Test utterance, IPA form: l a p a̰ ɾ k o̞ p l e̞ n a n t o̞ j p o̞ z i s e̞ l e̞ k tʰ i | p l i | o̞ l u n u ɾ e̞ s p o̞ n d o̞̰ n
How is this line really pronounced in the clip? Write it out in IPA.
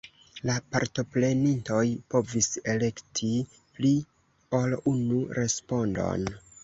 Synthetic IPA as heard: l a p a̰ ɾ t o̞ p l e̞ n i n t o̞ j p o̞ v i s e̞ l e̞ k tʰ i | p l i | o̞ l u n u ɾ e̞ s p o̞ n d o̞̰ n

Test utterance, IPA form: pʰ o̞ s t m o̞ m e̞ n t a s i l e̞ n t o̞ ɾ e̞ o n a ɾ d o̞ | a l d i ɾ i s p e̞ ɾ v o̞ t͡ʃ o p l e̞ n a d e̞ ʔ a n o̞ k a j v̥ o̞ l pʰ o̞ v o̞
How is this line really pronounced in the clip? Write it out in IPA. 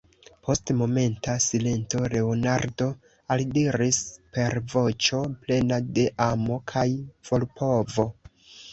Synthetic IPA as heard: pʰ o̞ s t m o̞ m e̞ n t a s i l e̞ n t o̞ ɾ e̞ o n a ɾ d o̞ | a l d i ɾ i s p e̞ ɾ v o̞ t͡ʃ o p l e̞ n a d e̞ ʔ a m o̞ kʰ a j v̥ o̞ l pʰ o̞ v o̞

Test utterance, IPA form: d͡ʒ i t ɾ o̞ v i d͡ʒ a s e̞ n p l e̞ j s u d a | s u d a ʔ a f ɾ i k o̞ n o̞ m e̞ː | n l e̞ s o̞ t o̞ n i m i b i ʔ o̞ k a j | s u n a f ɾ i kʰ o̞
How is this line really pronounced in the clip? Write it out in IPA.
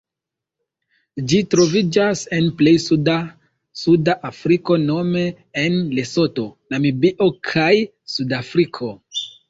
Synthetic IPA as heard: d͡ʒ i t ɾ o̞ v i d͡ʒ a s e̞ n p l e̞ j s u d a | s u d a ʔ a f ɾ i k o̞ n o̞ m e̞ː | n l e̞ s o̞ t o̞ n a m i b i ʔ o̞ kʰ a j | s u d a f ɾ i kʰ o̞

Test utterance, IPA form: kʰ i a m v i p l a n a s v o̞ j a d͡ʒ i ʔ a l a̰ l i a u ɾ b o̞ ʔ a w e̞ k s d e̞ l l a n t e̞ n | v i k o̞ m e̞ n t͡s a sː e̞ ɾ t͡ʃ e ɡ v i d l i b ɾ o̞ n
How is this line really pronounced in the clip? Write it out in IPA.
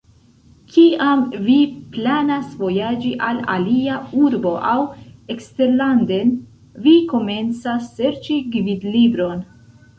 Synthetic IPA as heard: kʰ i a m v i p l a n a s v o̞ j a d͡ʒ i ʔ a l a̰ l i a u ɾ b o̞ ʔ a w e̞ k s t e̞ ɾ l a n d e̞ n | v i k o̞ m e̞ n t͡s a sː e̞ ɾ t͡ʃ i ɡ v i d l i b ɾ o̞ n

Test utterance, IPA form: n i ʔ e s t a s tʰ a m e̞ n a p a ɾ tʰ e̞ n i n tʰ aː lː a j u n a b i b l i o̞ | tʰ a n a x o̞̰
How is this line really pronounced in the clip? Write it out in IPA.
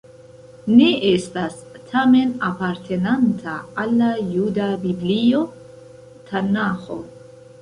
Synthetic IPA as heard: n e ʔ e s t a s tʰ a m e̞ n a p a ɾ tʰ e̞ n a n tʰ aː lː a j u d a b i b l i o̞ | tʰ a n a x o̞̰

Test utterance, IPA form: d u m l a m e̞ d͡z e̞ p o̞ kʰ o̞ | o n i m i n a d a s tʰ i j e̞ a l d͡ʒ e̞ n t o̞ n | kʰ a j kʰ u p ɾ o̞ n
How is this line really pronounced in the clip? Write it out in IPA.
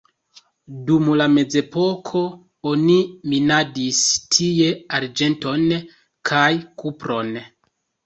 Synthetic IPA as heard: d u m l a m e̞ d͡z e̞ p o̞ kʰ o̞ | o n i m i n a d i s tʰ i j e̞ a ɾ d͡ʒ e̞ n t o̞ n | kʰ a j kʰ u p ɾ o̞ n

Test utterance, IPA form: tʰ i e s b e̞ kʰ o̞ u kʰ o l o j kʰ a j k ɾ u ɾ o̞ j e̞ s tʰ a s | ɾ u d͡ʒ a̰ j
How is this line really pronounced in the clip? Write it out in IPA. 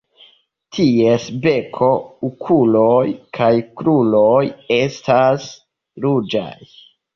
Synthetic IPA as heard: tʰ i e s b e̞ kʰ o̞ u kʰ u l o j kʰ a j k ɾ u l o̞ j e̞ s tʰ a s | ɾ u d͡ʒ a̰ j

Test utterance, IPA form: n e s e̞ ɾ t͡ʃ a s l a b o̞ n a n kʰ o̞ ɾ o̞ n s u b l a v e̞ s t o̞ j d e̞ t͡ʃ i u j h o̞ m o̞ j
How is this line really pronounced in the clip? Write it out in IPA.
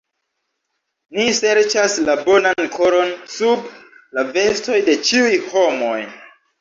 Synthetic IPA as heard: n i s e̞ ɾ t͡ʃ a s l a b o̞ n a n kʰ o̞ ɾ o̞ n s u b l a v e̞ s t o̞ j d e̞ t͡ʃ i u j h o̞ m o̞ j

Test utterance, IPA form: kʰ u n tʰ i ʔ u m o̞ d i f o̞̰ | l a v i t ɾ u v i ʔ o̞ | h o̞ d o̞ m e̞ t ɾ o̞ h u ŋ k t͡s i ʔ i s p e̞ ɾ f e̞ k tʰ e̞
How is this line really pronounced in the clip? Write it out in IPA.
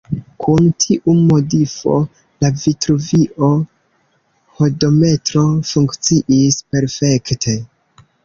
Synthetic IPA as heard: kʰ u n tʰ i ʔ u m o̞ d i f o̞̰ | l a v i t ɾ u v i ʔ o̞ | h o̞ d o̞ m e̞ t ɾ o̞ f u ŋ k t͡s i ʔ i s p e̞ ɾ f e̞ k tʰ e̞

